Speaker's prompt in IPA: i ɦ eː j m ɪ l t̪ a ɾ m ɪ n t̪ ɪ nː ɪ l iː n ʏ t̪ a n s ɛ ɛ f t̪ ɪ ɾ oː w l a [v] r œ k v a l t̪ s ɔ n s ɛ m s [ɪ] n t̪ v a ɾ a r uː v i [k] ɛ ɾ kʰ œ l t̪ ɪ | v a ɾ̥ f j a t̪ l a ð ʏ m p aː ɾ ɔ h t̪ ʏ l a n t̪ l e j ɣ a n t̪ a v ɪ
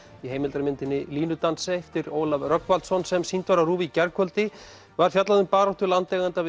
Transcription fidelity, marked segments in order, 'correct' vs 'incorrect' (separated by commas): correct, incorrect, incorrect